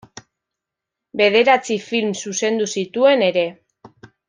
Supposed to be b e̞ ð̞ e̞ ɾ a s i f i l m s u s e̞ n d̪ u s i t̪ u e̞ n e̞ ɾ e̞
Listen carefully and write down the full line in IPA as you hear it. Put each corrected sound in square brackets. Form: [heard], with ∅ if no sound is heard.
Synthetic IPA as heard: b e̞ ð̞ e̞ ɾ a [t͡s] i f i l m s u s e̞ n d̪ u s i t̪ u e̞ n e̞ ɾ e̞